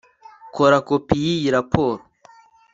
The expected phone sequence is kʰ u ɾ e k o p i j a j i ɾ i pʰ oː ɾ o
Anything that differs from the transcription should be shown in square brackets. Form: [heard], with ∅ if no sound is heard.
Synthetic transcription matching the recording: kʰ [o] ɾ [a] k o p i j [i] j i ɾ [a] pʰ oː ɾ o